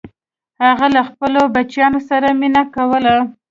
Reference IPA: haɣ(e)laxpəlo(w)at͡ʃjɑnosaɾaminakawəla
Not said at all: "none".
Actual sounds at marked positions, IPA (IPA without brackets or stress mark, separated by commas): a, b